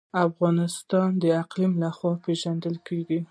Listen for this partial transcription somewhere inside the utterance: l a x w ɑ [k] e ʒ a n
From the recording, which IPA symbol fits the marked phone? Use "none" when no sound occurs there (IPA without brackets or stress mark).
p